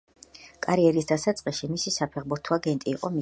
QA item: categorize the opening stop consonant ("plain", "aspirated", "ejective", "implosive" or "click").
ejective